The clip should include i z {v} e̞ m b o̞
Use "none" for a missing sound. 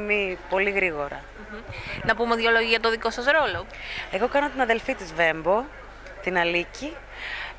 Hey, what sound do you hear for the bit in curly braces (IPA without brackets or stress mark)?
v